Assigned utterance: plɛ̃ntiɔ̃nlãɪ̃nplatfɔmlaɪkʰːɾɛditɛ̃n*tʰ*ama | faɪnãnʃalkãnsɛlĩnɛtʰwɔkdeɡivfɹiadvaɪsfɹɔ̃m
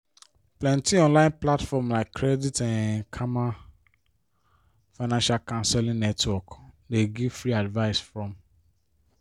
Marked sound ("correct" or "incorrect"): incorrect